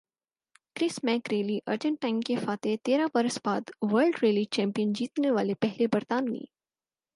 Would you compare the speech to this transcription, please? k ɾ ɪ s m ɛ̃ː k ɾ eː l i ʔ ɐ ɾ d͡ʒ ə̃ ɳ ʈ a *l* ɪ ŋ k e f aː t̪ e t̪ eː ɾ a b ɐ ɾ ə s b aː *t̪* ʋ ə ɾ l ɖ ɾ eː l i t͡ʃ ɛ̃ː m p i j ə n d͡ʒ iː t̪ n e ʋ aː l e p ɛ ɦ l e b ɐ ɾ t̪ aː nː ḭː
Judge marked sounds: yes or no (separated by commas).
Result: no, no